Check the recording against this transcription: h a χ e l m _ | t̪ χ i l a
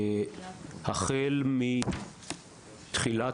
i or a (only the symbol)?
i